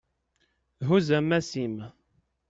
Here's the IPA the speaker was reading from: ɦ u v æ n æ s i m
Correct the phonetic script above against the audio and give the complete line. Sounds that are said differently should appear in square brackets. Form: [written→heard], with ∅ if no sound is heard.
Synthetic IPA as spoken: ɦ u [v→z] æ [n→m] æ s i m